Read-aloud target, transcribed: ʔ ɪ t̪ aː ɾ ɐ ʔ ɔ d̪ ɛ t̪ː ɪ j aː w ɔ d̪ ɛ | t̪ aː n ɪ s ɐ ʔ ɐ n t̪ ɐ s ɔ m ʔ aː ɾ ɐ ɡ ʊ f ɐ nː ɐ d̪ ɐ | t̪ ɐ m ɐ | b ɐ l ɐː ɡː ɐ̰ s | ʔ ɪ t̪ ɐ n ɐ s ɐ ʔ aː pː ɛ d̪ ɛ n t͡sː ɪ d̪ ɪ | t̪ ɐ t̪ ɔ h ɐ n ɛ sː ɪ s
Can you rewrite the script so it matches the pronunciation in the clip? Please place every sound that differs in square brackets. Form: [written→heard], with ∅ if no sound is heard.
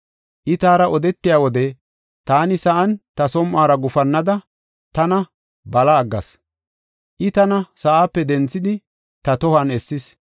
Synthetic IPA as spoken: ʔ ɪ t̪ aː ɾ ɐ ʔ ɔ d̪ ɛ t̪ː ɪ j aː w ɔ d̪ ɛ | t̪ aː n ɪ s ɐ ʔ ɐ n t̪ ɐ s ɔ m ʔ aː ɾ ɐ ɡ ʊ f ɐ nː ɐ d̪ ɐ | t̪ ɐ [m→n] ɐ | b ɐ l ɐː ɡː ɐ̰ s | ʔ ɪ t̪ ɐ n ɐ s ɐ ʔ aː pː ɛ d̪ ɛ n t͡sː ɪ d̪ ɪ | t̪ ɐ t̪ ɔ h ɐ n ɛ sː ɪ s